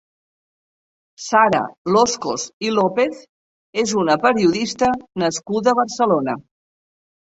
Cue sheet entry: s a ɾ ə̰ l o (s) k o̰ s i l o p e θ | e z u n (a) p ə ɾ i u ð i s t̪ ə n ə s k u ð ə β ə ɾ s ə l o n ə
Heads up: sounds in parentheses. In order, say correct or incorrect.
correct, incorrect: ə

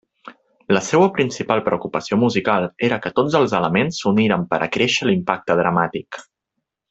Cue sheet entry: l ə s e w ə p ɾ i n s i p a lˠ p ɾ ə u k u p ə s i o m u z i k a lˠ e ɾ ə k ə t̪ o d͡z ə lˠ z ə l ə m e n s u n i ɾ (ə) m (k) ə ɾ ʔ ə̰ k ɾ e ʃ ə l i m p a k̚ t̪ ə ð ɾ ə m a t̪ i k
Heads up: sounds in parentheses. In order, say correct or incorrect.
correct, incorrect: p

